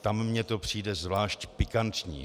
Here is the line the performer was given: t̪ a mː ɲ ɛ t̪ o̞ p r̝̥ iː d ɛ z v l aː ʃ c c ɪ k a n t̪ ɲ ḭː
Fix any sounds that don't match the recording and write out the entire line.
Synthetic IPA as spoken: t̪ a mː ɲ ɛ t̪ o̞ p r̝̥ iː d ɛ z v l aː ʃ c p ɪ k a n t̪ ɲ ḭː